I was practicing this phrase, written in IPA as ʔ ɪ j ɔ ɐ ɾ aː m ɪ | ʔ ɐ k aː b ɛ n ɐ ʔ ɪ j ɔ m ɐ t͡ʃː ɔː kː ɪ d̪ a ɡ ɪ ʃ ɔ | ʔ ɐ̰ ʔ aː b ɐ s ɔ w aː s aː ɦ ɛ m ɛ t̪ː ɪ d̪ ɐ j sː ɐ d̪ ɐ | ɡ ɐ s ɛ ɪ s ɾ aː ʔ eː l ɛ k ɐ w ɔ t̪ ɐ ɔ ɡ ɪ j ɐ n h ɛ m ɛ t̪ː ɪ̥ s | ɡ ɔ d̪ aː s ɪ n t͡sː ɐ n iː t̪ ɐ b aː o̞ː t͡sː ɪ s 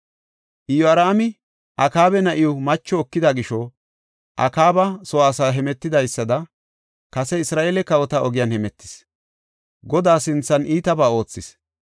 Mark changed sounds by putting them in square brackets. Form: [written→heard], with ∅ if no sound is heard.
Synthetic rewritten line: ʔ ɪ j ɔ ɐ ɾ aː m ɪ | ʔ ɐ k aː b ɛ n ɐ ʔ ɪ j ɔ m ɐ t͡ʃː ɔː kː ɪ d̪ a ɡ ɪ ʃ ɔ | ʔ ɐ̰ [ʔ→k] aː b ɐ s ɔ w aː s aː ɦ ɛ m ɛ t̪ː ɪ d̪ ɐ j sː ɐ d̪ ɐ | [ɡ→k] ɐ s ɛ ɪ s ɾ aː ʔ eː l ɛ k ɐ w ɔ t̪ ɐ ɔ ɡ ɪ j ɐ n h ɛ m ɛ t̪ː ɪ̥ s | ɡ ɔ d̪ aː s ɪ n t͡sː ɐ n iː t̪ ɐ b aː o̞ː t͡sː ɪ s